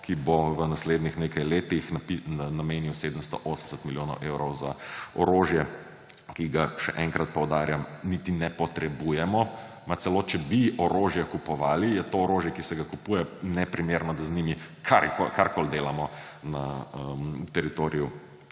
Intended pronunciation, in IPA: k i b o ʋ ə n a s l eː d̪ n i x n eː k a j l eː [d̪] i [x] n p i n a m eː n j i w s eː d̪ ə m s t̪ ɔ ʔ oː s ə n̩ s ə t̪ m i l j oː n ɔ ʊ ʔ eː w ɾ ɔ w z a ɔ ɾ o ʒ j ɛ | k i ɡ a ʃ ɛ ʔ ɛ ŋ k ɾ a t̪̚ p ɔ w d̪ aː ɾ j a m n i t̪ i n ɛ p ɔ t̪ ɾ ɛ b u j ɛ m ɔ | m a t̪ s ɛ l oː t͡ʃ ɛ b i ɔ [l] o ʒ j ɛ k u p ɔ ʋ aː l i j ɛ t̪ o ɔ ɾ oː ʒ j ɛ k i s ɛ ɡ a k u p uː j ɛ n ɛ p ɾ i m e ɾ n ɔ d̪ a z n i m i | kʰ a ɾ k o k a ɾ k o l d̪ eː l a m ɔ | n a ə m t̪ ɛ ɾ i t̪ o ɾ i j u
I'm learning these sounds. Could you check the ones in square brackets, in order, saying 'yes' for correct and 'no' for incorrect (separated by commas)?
no, yes, no